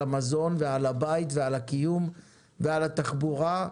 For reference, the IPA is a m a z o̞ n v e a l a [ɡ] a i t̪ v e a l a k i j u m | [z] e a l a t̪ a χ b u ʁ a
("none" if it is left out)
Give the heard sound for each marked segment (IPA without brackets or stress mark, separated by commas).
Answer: b, v